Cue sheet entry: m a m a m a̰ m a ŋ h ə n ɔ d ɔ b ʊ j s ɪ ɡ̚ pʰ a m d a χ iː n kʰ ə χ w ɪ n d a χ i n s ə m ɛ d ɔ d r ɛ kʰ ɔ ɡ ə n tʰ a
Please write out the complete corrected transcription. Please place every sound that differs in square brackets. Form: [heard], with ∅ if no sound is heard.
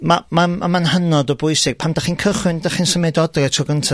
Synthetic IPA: m a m a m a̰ m a [n] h ə n ɔ d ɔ b ʊ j s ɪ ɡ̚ pʰ a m d a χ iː n kʰ ə χ w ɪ n d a χ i n s ə m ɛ d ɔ d r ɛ [tʰ] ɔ ɡ ə n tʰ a